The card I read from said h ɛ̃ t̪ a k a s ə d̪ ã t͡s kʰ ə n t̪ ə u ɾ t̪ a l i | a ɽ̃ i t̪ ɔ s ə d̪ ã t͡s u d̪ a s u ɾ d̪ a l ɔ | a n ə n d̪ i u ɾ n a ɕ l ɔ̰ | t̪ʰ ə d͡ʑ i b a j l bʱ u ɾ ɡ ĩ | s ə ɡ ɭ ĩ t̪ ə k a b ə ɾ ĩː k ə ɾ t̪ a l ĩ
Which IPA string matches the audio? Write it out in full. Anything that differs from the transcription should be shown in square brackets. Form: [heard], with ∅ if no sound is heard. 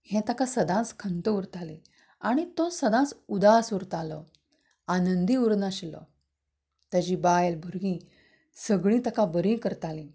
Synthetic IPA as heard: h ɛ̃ t̪ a k a s ə d̪ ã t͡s kʰ ə n t̪ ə u ɾ t̪ a l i | a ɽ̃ i t̪ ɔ s ə d̪ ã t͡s u d̪ a s u ɾ [t̪] a l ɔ | a n ə n d̪ i u ɾ n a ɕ l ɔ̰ | [t̪] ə d͡ʑ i b a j l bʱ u ɾ ɡ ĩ | s ə ɡ ɭ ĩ t̪ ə k a b ə ɾ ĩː k ə ɾ t̪ a l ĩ